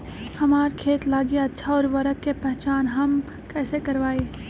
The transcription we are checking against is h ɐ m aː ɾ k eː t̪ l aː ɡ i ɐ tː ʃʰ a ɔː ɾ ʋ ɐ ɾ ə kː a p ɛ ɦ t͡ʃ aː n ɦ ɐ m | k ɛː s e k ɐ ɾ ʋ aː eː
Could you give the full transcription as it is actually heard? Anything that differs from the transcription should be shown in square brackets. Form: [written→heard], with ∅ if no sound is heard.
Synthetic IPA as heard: h ɐ m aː ɾ [k→kʰ] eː t̪ l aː ɡ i ɐ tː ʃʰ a ɔː ɾ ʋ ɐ ɾ ə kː [a→e] p ɛ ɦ t͡ʃ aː n ɦ ɐ m | k ɛː s e k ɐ ɾ ʋ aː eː